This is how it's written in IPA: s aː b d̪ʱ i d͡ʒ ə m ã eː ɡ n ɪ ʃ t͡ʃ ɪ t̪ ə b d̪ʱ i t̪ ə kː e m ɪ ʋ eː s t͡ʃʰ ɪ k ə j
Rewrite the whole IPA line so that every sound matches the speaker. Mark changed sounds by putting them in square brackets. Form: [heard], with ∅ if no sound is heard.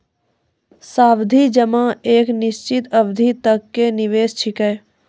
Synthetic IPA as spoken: s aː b d̪ʱ i d͡ʒ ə m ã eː [k] n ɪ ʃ t͡ʃ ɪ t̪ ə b d̪ʱ i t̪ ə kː e [n] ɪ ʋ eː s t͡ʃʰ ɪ k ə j